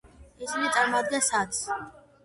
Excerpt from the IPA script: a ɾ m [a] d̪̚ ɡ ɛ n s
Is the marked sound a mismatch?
no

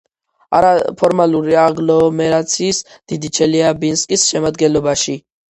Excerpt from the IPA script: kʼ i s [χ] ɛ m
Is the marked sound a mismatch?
yes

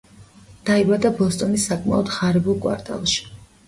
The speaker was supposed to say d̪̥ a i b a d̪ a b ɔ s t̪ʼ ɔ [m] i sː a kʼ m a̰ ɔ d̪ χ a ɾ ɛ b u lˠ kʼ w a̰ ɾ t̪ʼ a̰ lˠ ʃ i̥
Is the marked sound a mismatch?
yes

